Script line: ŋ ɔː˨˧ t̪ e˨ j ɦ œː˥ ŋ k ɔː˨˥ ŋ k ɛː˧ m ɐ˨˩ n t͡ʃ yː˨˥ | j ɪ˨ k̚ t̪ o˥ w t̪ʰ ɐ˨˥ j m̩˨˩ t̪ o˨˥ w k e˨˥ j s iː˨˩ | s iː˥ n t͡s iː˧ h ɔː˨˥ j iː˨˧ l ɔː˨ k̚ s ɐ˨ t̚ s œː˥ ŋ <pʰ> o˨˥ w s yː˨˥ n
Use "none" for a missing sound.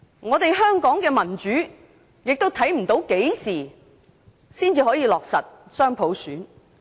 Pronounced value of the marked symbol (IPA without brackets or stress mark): pʰ